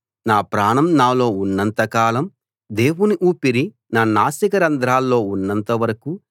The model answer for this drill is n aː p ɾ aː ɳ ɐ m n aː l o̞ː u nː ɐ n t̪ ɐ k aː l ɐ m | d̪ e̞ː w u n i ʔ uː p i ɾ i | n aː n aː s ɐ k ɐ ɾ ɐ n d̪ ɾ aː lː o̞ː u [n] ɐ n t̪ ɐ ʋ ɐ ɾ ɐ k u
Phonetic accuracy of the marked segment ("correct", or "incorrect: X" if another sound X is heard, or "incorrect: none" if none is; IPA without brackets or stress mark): incorrect: nː